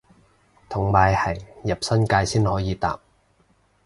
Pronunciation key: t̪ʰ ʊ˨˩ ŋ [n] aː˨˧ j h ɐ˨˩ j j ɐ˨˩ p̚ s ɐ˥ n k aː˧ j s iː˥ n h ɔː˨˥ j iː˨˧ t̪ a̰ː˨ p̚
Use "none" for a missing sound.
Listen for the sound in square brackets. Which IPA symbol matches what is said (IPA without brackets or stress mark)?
m